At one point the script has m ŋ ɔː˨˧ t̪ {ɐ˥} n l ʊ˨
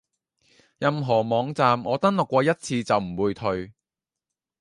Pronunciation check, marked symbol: correct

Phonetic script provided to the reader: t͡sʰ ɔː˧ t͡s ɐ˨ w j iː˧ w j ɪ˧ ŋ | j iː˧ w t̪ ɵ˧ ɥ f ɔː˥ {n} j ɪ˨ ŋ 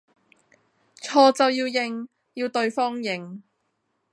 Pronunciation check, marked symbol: incorrect: ŋ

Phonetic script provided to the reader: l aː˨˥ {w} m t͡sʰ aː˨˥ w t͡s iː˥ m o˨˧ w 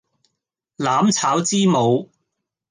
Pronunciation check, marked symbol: incorrect: none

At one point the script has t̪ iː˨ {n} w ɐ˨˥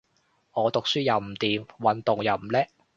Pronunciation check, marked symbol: incorrect: m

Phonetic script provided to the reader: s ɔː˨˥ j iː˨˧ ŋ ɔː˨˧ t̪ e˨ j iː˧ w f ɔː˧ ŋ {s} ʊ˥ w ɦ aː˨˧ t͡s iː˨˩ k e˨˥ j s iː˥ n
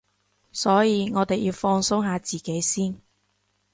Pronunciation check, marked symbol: correct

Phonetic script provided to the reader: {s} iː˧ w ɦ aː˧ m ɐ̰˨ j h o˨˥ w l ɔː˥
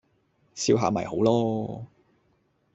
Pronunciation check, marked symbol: correct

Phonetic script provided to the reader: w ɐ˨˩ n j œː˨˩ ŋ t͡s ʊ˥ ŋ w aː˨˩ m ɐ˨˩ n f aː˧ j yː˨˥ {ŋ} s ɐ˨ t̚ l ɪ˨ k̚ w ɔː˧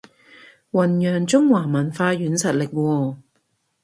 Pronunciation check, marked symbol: incorrect: n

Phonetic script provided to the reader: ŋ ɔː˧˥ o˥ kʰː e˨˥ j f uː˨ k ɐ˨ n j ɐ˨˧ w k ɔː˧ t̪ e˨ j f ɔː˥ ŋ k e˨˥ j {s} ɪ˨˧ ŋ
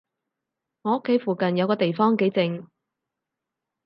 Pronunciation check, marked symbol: incorrect: t͡s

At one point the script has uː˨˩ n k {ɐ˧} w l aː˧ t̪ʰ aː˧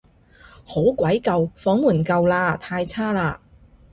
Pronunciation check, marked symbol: correct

